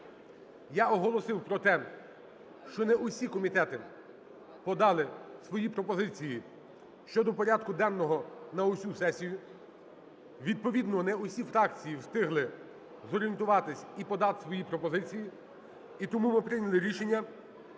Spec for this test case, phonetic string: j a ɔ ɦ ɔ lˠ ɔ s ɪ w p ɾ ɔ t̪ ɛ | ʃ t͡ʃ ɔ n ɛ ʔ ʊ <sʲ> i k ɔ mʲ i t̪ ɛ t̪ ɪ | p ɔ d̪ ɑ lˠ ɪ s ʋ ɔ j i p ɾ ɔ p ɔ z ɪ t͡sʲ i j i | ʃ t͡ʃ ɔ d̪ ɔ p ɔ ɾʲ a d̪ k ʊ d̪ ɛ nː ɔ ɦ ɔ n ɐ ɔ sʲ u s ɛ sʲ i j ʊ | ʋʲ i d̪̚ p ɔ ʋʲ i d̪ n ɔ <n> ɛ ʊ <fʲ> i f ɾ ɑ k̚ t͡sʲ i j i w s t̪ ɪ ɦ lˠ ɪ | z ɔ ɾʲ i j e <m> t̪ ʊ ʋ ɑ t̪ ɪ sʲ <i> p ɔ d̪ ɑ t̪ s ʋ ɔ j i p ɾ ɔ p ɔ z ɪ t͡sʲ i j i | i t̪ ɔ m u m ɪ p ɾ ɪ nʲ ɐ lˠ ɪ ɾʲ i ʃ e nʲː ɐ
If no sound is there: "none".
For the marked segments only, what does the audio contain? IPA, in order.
sʲ, n, sʲ, n, i

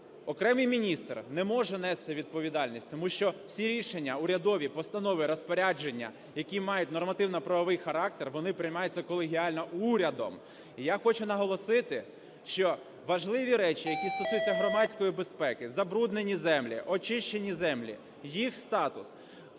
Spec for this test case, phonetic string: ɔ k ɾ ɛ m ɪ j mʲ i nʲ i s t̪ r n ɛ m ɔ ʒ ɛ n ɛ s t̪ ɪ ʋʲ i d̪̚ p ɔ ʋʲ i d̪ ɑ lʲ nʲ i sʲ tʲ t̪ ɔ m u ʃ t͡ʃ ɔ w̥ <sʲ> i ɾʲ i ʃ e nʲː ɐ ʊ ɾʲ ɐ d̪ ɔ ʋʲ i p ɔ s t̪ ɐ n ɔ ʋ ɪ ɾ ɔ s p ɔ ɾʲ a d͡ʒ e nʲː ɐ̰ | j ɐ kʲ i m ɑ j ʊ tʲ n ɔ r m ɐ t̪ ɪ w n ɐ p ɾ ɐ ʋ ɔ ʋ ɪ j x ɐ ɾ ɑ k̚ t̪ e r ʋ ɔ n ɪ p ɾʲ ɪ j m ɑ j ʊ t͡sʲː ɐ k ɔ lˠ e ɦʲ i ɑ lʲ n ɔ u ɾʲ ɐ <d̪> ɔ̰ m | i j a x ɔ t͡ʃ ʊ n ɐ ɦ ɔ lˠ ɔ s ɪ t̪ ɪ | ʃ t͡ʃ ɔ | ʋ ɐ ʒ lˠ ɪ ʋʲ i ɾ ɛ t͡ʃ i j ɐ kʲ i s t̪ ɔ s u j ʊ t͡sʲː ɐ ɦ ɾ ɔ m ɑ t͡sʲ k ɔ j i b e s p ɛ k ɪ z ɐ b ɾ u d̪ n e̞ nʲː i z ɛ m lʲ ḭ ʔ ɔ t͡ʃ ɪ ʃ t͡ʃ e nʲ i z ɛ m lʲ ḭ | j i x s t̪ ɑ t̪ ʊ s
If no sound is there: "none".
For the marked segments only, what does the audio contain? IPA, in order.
sʲ, d̪

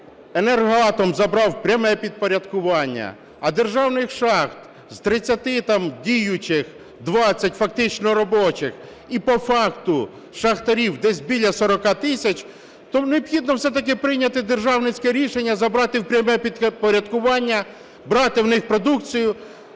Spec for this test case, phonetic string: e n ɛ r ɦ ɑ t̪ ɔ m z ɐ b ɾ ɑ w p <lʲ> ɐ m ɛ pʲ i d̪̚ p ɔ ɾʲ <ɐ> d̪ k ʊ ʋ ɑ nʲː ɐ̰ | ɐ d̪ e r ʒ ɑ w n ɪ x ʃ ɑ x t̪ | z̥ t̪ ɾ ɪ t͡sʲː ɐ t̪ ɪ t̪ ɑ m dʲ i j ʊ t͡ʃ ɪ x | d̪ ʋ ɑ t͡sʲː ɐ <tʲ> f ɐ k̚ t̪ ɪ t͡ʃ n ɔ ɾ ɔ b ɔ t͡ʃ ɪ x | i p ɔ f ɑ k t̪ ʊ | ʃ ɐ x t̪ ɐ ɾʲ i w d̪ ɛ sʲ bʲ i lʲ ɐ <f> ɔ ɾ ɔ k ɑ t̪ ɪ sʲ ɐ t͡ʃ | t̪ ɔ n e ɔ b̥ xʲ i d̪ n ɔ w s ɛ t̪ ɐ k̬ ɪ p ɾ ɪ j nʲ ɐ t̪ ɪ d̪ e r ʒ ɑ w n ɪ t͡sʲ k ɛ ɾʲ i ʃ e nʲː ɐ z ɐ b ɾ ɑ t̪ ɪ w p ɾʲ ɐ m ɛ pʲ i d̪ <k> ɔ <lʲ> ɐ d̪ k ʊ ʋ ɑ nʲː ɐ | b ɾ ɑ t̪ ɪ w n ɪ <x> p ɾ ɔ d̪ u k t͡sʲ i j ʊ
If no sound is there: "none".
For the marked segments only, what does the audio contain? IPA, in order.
ɾʲ, ɐ, tʲ, s, p, ɾʲ, x

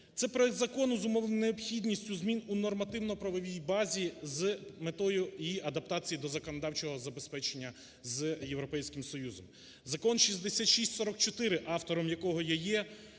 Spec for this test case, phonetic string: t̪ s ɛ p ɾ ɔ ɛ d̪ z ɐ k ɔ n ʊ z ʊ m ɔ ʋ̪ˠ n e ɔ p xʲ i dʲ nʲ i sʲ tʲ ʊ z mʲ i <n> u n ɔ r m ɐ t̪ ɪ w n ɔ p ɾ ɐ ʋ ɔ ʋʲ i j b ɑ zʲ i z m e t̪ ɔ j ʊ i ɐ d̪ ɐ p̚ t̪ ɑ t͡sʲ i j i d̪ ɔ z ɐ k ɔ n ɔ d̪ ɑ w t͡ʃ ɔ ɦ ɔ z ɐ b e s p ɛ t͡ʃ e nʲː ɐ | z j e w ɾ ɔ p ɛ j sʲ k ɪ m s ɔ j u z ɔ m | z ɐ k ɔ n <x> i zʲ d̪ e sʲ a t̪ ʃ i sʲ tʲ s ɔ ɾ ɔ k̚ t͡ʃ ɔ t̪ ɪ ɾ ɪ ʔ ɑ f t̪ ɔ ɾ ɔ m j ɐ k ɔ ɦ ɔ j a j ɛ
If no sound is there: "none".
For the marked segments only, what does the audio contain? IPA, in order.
n, ʃ

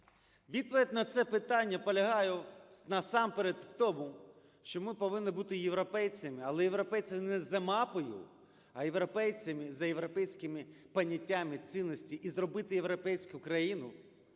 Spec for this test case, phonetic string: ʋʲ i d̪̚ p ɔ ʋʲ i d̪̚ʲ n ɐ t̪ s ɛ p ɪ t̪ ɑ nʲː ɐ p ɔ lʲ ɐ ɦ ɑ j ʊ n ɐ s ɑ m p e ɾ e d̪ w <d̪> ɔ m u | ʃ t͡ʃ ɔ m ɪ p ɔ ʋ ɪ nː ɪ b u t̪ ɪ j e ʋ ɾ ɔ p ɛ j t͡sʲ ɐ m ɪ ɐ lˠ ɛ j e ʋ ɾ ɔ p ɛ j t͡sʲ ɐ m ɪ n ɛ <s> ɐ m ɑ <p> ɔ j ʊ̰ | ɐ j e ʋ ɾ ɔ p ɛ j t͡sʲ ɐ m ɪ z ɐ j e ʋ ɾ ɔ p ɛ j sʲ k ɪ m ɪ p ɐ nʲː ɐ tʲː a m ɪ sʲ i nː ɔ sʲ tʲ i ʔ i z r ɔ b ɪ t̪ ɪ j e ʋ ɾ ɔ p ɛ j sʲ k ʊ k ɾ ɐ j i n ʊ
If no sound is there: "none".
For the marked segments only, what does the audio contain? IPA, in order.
t̪, z, p

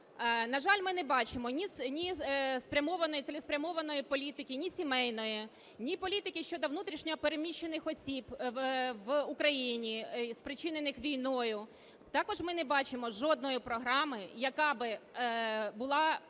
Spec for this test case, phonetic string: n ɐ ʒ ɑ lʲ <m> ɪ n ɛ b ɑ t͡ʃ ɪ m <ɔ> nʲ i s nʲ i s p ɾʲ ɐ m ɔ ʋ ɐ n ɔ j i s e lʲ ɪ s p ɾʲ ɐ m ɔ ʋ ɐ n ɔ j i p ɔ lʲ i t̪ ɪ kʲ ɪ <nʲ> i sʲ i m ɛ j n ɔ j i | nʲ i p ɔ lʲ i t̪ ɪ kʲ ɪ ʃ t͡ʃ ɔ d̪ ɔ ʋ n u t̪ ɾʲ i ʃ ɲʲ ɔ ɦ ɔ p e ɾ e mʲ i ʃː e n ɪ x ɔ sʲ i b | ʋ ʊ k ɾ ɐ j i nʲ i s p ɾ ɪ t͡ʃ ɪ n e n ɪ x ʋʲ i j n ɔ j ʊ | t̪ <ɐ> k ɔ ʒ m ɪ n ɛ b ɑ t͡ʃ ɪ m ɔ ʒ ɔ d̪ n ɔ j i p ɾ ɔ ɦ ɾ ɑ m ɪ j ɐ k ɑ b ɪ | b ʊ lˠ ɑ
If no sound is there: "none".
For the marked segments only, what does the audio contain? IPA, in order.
m, ɔ, nʲ, ɑ

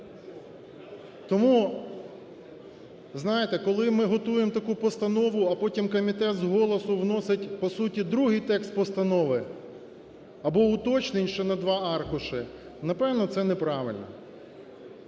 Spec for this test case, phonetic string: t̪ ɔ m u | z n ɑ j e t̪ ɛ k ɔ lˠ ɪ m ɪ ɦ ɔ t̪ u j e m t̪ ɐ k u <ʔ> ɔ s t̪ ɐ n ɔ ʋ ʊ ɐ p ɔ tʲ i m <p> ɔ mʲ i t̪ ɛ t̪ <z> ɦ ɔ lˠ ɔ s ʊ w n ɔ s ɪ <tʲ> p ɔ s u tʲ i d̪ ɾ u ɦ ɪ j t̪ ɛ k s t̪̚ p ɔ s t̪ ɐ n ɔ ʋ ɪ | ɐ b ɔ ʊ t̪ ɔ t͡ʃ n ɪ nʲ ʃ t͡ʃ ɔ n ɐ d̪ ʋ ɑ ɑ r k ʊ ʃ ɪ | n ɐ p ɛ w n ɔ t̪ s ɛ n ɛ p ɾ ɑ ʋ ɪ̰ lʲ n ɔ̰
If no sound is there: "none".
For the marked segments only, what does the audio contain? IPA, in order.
p, k, z, tʲ

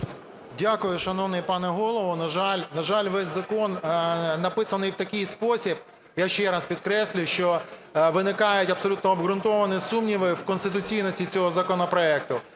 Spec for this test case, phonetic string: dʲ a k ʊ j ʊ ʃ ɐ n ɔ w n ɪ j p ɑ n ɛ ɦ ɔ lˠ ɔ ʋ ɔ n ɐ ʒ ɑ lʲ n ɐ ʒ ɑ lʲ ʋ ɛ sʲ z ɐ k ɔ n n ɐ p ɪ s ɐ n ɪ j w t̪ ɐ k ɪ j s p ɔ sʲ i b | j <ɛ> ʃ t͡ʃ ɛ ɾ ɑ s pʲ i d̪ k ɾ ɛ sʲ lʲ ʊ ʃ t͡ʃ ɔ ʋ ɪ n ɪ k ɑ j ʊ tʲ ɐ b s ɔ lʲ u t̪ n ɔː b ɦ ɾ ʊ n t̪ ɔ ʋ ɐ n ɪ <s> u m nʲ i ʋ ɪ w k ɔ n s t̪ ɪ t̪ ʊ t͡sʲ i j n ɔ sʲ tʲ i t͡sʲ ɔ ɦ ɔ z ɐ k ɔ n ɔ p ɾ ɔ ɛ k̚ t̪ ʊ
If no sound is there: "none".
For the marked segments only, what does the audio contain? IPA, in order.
a, s

